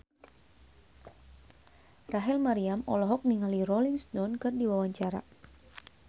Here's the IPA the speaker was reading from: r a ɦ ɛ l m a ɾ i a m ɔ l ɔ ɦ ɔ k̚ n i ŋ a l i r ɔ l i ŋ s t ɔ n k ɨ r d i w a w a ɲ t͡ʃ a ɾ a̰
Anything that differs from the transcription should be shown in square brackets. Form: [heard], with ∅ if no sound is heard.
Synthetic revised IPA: r a ɦ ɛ l m a ɾ i a m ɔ l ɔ ɦ ɔ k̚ n i ŋ a l i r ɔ l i ŋ s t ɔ n k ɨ r d i w a w a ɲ t͡ʃ a ɾ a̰